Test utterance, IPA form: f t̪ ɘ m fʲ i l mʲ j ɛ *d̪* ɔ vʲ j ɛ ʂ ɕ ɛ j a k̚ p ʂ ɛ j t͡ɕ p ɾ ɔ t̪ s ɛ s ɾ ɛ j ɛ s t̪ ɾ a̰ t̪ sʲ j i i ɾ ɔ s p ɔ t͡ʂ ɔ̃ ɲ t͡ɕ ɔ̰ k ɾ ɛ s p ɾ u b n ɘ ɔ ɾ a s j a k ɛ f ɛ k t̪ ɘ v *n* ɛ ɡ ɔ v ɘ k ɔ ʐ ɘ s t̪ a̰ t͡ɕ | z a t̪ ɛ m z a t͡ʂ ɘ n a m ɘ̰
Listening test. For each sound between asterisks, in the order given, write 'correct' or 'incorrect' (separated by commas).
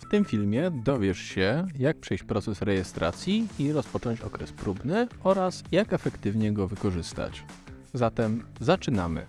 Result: correct, incorrect